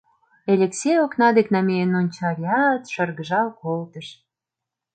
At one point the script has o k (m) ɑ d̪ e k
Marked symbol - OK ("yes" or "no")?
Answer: no